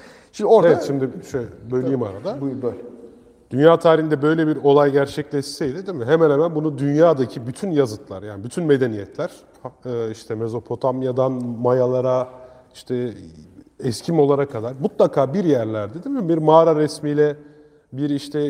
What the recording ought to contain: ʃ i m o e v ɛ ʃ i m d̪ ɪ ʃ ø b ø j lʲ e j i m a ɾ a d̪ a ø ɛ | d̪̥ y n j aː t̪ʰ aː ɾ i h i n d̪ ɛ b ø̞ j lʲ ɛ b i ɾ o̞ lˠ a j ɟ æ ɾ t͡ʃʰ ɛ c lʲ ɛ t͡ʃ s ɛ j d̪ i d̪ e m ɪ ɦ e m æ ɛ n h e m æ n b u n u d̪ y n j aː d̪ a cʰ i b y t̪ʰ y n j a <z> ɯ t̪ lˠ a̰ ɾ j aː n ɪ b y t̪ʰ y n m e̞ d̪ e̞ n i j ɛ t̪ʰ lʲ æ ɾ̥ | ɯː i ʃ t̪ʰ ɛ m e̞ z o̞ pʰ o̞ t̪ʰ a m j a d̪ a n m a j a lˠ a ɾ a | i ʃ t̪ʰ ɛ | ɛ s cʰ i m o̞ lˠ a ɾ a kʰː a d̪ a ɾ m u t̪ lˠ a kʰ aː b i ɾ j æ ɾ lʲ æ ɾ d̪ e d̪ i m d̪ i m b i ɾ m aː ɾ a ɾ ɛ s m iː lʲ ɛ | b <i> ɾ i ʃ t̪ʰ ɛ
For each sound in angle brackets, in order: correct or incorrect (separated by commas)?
correct, correct